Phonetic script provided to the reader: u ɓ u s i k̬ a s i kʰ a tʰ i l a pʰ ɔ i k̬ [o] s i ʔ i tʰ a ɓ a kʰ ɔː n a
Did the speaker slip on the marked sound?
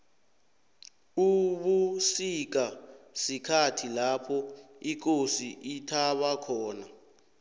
no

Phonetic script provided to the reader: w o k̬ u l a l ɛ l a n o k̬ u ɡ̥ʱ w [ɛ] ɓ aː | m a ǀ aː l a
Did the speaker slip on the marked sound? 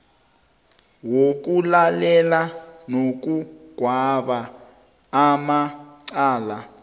yes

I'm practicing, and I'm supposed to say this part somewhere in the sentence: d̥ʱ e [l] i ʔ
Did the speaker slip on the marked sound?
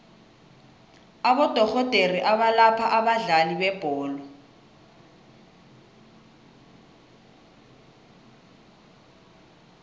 yes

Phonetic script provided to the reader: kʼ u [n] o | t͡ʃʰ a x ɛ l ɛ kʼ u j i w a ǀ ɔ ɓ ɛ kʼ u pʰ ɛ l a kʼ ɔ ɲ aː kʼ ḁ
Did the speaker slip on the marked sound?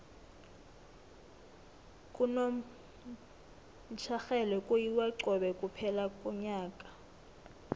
no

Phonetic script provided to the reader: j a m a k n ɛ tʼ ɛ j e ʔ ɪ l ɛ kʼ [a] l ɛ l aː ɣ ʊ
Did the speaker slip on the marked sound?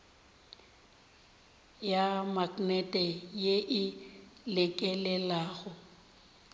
yes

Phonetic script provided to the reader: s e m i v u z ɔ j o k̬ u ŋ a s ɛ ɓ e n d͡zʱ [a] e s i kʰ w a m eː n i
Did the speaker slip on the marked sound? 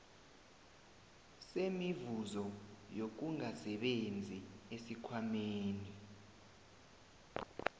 yes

